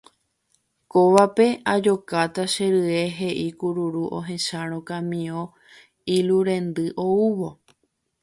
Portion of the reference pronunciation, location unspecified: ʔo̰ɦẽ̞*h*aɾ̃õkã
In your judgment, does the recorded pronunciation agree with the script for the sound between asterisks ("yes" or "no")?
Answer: no